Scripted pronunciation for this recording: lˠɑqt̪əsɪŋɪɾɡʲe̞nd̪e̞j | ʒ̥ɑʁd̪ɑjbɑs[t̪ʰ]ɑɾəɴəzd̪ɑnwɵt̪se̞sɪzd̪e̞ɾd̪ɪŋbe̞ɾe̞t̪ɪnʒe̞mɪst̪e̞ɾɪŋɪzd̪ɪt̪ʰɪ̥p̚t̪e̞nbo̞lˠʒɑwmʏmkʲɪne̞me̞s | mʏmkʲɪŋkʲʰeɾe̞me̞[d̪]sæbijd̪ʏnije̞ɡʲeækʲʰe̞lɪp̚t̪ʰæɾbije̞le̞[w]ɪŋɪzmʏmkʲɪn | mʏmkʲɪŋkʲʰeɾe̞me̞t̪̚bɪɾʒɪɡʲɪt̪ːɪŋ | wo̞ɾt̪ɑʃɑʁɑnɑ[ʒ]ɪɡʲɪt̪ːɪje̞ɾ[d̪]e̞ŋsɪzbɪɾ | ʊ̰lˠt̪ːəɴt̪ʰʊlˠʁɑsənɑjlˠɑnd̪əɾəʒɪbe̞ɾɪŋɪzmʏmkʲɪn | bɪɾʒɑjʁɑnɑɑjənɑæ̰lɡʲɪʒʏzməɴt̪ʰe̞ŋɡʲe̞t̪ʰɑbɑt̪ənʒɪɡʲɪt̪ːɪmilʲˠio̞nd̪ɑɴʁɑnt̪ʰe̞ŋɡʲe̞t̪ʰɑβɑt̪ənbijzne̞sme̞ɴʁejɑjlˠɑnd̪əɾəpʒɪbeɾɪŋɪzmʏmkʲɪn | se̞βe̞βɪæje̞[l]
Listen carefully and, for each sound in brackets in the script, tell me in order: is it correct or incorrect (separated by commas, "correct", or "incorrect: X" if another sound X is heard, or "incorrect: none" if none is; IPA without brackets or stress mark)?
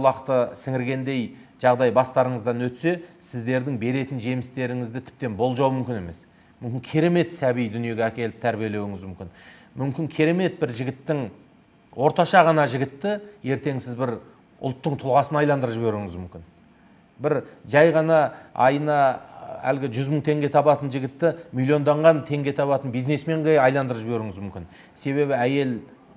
incorrect: t̪, incorrect: t̪, correct, correct, incorrect: t̪, correct